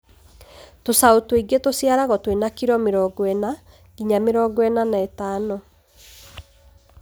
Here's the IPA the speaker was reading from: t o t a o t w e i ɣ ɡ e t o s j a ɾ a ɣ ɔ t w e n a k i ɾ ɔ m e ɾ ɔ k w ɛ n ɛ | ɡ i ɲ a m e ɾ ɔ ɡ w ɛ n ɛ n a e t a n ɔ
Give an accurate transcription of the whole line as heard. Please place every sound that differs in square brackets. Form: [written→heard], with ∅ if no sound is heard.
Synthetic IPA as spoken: t o [t→s] a o t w e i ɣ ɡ e t o s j a ɾ a ɣ ɔ t w e n a k i ɾ ɔ m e ɾ ɔ [k→ɡ] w ɛ n [ɛ→a] | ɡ i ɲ a m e ɾ ɔ ɡ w ɛ n [ɛ→a] n a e t a n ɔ